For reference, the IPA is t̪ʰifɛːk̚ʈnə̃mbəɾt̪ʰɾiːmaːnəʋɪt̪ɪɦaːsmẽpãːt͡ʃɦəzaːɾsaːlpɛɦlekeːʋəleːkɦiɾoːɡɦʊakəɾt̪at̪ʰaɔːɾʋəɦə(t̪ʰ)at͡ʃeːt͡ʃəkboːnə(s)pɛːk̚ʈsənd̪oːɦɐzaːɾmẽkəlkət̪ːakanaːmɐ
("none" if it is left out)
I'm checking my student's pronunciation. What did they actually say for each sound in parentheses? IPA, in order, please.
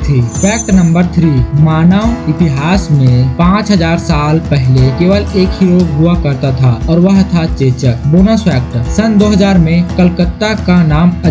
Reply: t̪ʰ, s

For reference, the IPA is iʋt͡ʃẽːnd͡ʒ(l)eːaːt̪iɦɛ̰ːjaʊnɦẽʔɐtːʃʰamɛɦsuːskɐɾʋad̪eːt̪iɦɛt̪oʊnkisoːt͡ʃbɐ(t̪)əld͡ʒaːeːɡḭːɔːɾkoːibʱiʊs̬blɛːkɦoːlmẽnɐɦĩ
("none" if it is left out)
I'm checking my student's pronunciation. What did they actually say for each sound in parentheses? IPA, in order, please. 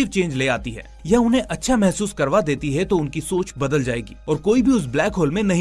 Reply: l, d̪

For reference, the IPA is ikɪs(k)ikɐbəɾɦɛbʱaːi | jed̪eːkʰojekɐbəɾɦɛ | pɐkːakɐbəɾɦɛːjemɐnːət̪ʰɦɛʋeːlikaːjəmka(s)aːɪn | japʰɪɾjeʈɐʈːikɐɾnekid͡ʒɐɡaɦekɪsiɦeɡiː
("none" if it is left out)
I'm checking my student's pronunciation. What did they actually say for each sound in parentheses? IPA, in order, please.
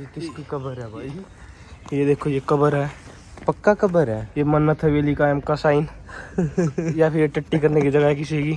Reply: k, s

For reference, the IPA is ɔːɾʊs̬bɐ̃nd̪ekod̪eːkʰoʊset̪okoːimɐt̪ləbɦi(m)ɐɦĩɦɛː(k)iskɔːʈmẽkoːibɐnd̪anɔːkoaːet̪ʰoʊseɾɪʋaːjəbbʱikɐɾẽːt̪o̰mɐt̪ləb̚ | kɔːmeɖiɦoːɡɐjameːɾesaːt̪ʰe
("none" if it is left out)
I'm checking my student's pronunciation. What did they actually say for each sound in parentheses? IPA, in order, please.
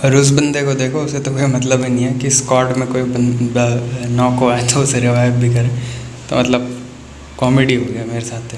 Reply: n, k

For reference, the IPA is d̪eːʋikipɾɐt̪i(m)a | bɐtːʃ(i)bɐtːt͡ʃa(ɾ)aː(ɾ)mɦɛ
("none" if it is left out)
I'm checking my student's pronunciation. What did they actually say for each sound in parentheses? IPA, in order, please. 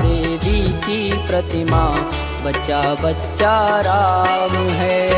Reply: m, a, ɾ, none

